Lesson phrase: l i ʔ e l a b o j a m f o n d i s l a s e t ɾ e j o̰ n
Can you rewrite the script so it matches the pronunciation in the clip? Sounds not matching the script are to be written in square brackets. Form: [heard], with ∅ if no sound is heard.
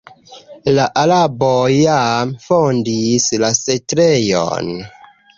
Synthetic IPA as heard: l [a] ʔ [a] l a b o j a m f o n d i s l a s e t ɾ e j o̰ n